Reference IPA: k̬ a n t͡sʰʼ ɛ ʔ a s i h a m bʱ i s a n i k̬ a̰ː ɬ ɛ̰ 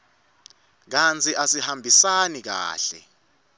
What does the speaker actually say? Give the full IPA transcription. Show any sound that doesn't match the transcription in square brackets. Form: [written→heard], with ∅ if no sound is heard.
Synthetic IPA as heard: k̬ a n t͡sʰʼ [ɛ→i] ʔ a s i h a m bʱ i s a n i k̬ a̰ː ɬ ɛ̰